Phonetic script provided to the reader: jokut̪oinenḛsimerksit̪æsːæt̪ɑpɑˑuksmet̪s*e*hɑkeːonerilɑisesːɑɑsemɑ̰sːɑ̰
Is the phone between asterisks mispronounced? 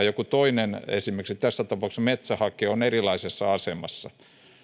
yes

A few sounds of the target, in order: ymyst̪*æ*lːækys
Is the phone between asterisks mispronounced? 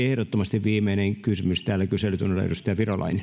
yes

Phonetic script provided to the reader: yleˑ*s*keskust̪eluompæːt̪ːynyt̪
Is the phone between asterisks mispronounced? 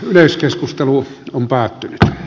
no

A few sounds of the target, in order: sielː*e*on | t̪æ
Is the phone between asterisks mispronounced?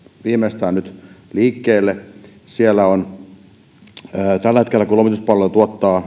yes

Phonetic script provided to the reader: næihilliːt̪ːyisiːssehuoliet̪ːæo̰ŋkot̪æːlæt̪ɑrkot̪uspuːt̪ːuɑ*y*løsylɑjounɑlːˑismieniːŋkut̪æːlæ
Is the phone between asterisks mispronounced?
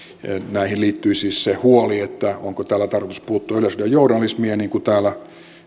no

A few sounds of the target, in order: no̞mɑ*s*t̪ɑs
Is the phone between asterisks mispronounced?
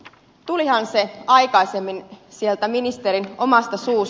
no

